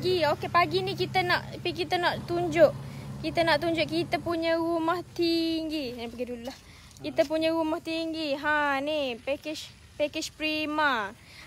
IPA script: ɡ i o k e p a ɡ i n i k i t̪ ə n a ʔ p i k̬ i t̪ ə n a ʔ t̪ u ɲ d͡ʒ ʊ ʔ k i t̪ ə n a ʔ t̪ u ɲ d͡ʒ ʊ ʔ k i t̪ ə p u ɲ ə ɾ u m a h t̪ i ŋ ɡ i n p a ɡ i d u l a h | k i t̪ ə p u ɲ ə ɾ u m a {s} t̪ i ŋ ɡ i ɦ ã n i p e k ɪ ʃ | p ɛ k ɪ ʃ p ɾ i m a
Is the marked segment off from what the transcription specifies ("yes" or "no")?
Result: yes